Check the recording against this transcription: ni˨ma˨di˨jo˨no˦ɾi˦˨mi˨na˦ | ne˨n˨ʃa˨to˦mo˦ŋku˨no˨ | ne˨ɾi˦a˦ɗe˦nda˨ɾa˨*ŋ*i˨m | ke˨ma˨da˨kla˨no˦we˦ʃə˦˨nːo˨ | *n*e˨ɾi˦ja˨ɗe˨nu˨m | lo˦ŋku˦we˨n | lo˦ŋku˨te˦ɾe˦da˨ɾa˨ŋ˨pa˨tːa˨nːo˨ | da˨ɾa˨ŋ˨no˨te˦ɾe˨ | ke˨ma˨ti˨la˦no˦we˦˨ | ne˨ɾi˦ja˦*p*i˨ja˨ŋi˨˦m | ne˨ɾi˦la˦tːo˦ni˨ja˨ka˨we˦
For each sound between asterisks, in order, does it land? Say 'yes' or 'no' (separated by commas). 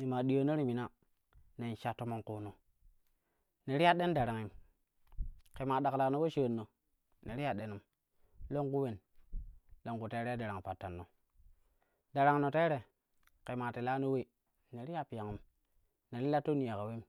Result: yes, yes, yes